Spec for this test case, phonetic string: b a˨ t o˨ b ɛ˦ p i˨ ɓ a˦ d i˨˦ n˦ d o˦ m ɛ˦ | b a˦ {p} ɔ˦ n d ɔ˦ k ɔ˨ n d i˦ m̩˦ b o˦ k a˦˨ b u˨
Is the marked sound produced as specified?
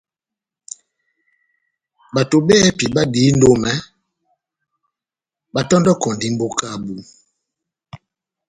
no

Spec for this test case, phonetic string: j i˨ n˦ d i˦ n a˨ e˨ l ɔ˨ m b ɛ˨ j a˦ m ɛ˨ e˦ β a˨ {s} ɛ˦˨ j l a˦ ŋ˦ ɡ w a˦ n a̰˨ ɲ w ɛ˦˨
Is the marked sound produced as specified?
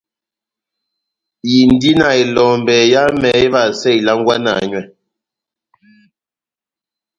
yes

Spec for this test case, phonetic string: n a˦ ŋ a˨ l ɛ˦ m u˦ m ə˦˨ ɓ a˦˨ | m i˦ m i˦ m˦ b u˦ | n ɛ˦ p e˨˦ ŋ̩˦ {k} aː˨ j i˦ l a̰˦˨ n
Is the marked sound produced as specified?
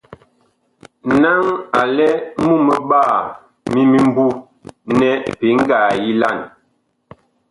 no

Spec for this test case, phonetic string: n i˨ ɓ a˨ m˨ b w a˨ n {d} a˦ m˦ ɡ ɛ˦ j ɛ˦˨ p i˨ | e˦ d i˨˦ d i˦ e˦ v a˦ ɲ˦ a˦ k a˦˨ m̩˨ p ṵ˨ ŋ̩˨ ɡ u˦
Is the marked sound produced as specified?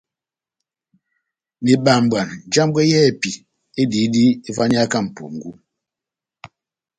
no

